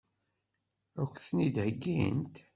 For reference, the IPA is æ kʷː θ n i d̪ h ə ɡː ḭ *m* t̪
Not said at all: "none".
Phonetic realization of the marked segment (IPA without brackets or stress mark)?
n